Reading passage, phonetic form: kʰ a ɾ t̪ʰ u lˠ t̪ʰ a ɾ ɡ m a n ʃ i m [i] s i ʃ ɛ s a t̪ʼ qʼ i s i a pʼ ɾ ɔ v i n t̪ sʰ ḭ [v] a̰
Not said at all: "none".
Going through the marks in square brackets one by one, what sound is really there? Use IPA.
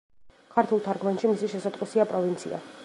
i, none

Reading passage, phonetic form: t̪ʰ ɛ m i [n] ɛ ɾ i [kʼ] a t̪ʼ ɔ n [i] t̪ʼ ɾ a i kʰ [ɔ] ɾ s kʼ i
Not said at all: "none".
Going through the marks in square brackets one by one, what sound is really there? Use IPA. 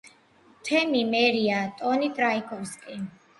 m, none, i, ɔ

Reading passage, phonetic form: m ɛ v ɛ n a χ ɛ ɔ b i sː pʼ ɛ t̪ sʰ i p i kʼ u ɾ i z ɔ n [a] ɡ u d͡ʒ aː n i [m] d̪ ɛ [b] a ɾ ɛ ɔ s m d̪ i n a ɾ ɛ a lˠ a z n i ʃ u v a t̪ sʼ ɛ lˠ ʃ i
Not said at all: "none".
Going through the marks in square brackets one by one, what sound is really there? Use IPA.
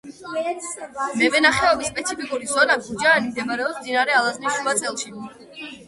a, m, m

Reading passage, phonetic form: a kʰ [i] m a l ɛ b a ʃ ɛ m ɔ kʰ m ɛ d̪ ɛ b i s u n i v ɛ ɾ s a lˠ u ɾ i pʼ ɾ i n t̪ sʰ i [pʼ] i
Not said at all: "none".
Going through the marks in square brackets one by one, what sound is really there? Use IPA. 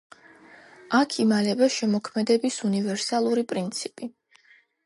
i, pʼ

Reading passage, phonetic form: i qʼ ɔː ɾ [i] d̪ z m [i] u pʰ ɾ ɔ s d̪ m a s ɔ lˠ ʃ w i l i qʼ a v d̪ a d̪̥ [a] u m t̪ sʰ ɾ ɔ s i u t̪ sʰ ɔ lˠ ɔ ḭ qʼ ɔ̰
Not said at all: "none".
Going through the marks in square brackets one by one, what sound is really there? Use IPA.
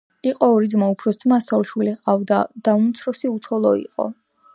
i, a, a

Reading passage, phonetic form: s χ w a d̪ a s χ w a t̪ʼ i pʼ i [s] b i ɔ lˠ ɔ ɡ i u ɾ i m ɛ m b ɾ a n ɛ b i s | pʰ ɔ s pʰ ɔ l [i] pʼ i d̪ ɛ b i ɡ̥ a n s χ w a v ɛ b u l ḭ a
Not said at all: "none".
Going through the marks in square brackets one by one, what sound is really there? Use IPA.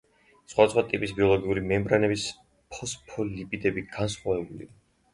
s, i

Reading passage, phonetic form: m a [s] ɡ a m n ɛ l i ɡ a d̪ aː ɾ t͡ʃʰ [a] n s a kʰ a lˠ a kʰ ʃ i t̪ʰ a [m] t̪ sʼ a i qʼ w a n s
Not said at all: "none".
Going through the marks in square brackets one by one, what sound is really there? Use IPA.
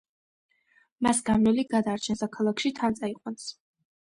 s, ɛ, n

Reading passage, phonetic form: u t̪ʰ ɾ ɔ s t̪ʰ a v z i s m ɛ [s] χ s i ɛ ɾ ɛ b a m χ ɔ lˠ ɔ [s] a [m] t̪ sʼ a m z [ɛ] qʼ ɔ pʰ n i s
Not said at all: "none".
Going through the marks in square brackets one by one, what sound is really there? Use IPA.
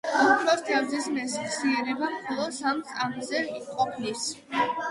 s, s, m, ɛ

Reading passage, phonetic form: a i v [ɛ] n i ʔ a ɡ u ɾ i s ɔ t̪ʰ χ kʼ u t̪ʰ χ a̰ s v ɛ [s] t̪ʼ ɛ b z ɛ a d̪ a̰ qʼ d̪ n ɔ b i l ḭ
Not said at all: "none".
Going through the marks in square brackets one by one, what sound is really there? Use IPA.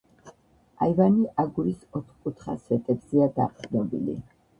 a, none

